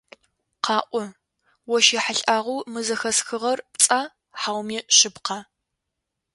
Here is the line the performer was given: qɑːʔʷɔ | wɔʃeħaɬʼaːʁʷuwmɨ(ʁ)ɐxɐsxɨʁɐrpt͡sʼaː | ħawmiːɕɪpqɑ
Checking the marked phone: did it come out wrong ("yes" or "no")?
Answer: yes